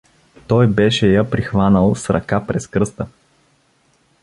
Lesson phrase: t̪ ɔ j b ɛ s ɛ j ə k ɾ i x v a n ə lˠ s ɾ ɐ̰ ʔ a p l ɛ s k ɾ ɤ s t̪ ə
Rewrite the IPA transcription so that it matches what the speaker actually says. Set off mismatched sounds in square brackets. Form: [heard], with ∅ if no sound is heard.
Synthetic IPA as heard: t̪ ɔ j b ɛ [ʃ] ɛ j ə [p] ɾ i x v a n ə lˠ s ɾ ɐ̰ [k] a p [ɾ] ɛ s k ɾ ɤ s t̪ ə